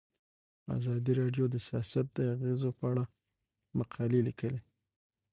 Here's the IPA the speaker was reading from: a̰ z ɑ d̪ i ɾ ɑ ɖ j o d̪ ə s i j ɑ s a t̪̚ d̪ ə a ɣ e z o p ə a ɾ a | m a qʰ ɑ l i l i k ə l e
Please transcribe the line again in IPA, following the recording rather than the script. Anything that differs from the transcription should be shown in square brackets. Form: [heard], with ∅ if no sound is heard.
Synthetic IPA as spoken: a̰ z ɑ d̪ i ɾ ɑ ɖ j o d̪ ə s i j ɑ s a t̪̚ d̪ ə a ɣ e z o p ə a [ɽ] a | m a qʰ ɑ l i l i k ə l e